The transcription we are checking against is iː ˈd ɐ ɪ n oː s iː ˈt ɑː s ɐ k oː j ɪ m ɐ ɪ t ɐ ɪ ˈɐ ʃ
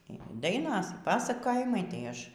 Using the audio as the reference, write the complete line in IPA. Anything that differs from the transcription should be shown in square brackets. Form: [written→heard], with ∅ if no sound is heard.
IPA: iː ˈd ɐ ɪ n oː s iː [ˈt→ˈp] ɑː s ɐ k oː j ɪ m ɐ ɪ t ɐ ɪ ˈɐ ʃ